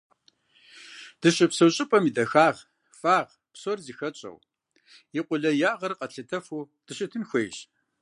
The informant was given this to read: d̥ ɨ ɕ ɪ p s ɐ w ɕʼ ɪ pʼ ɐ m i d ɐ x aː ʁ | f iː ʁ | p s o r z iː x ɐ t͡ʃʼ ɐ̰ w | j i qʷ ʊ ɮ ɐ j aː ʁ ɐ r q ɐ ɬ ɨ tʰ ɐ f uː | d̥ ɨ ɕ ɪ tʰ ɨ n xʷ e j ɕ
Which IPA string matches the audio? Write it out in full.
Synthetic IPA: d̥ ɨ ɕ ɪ p s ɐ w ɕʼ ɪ pʼ ɐ m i d ɐ x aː ʁ | f aː ʁ | p s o r z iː x ɐ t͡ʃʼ ɐ̰ w | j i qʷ ʊ ɮ ɐ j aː ʁ ɐ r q ɐ ɬ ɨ tʰ ɐ f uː | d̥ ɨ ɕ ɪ tʰ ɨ n xʷ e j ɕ